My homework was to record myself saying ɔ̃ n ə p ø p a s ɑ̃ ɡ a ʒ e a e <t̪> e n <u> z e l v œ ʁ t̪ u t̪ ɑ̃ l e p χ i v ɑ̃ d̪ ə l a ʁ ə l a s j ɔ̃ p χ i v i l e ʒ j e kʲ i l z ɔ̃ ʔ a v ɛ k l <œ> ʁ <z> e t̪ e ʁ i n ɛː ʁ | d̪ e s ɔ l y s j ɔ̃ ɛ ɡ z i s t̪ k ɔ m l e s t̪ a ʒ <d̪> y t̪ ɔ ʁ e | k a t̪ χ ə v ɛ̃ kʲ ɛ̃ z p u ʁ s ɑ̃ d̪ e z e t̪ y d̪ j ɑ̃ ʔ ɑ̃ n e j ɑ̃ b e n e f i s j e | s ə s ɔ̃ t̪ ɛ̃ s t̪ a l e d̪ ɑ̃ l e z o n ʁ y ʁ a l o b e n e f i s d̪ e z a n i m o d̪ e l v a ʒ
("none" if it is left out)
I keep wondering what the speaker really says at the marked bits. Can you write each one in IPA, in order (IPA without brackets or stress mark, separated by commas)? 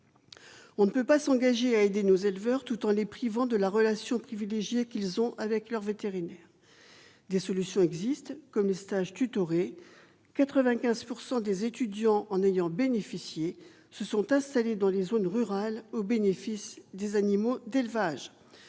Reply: d̪, o, œ, v, t̪